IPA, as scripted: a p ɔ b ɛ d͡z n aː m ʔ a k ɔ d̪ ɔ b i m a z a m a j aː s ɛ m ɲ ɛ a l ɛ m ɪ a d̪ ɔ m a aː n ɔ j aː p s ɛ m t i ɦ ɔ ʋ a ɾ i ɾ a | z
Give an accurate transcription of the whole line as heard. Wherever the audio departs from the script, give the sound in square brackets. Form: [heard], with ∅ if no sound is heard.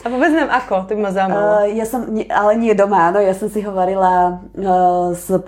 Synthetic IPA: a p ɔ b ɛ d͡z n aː m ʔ a k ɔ [t̪] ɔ b i m a z a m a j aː s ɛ m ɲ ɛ a l ɛ [ɲ] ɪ [ɛ] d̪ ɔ m a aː n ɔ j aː [∅] s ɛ m [s] i ɦ ɔ ʋ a ɾ i [l] a | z